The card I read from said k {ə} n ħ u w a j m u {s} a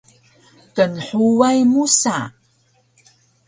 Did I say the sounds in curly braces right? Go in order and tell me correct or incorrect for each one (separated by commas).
correct, correct